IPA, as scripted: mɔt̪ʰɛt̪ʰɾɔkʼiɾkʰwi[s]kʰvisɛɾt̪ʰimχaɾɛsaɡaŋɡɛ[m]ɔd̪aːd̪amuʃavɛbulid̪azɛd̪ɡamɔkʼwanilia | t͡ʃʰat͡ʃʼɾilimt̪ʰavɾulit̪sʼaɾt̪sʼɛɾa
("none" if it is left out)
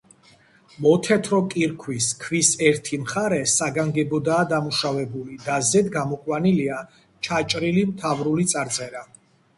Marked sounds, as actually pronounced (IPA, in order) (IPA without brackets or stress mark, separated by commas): s, b